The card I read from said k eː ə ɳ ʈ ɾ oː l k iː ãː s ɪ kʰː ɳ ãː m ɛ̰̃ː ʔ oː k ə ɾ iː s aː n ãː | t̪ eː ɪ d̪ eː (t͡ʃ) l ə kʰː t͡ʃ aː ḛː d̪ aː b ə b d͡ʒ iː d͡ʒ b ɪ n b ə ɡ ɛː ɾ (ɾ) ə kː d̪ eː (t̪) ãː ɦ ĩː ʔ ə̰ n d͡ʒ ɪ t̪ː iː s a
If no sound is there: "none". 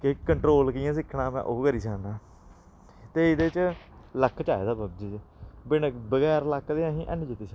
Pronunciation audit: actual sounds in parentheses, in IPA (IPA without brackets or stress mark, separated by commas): t͡ʃ, l, none